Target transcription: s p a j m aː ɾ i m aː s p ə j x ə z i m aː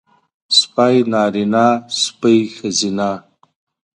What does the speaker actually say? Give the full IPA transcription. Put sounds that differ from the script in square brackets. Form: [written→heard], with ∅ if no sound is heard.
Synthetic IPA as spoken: s p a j [m→n] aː ɾ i [m→n] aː s p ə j x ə z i [m→n] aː